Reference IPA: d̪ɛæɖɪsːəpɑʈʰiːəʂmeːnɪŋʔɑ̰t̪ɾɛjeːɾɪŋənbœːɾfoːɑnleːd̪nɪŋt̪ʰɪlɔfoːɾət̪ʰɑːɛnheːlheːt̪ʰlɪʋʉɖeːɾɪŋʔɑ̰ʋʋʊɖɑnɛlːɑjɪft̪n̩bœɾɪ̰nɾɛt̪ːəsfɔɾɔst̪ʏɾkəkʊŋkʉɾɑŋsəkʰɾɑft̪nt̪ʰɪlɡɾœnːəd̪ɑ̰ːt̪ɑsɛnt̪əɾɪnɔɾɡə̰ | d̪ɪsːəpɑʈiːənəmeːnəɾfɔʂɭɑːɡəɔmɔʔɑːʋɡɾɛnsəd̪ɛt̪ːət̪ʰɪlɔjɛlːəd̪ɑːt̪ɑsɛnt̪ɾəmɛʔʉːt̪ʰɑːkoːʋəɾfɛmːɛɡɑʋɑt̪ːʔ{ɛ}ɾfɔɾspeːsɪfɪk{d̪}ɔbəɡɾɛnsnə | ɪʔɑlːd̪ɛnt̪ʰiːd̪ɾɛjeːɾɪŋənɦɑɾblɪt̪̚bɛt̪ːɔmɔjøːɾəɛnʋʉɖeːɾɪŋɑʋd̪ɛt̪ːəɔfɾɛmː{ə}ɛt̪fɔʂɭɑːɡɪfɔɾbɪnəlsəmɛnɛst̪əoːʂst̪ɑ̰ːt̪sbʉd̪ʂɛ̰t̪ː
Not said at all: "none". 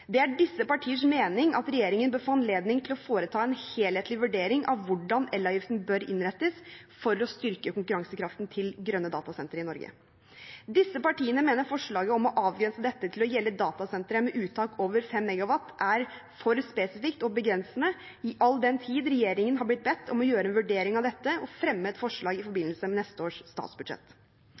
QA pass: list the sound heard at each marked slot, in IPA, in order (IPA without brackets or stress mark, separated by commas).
æ, t̪, ə